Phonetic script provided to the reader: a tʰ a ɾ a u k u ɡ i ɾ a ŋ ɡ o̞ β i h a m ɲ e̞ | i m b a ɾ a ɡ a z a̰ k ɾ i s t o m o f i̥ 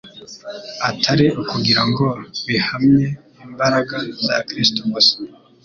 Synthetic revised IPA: a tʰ a ɾ i u k u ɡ i ɾ a ŋ ɡ o̞ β i h a m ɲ e̞ | i m b a ɾ a ɡ a z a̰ k ɾ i s t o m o s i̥